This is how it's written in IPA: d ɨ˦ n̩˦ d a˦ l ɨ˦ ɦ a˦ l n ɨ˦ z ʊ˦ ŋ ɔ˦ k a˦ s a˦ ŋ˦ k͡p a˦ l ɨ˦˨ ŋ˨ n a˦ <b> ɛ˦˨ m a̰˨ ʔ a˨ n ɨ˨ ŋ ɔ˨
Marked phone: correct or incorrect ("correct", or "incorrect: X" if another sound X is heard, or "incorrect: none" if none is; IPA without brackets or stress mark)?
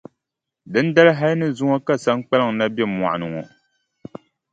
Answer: correct